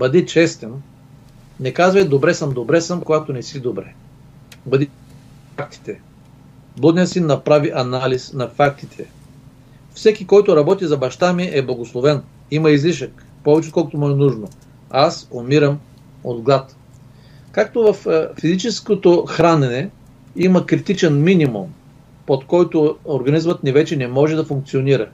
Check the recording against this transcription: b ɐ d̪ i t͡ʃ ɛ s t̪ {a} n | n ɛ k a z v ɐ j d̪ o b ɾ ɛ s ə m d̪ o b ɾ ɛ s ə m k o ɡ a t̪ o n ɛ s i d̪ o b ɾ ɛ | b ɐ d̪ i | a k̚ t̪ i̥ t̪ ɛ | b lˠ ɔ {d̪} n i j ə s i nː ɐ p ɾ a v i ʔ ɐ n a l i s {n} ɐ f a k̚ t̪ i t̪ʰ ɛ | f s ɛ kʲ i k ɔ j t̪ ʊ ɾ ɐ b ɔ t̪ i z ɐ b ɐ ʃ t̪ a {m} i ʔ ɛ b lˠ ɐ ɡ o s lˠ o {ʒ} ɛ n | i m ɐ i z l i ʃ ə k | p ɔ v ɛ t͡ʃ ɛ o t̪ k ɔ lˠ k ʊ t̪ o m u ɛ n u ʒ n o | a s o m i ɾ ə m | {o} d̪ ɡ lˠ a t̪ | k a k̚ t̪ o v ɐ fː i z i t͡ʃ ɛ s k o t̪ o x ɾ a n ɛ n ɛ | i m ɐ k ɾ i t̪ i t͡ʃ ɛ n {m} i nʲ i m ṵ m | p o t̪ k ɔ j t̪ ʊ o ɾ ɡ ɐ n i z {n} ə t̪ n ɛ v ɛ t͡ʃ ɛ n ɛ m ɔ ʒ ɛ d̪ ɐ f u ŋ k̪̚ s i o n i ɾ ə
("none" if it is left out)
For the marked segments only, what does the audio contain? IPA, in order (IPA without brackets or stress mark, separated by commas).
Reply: ɛ, d̪, n, m, v, o, m, m